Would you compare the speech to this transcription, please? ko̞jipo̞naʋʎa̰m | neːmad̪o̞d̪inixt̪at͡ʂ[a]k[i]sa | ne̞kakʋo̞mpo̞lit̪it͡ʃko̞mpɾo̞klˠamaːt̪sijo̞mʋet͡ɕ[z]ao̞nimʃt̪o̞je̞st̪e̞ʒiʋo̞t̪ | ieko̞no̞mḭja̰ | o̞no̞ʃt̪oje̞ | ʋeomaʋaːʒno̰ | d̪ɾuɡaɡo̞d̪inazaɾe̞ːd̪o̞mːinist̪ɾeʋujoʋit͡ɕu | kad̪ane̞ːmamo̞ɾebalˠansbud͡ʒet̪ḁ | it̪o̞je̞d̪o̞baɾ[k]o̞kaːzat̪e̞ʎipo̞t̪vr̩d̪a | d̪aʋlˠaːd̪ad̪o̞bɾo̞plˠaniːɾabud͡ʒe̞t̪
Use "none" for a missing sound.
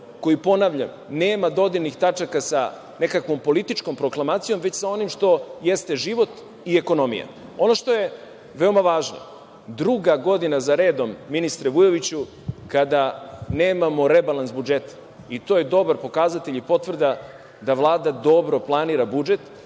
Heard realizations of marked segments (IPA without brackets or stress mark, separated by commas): a, a, s, p